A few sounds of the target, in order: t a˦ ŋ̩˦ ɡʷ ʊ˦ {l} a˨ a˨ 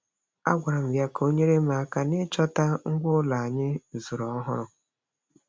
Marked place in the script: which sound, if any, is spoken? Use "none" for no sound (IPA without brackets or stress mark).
l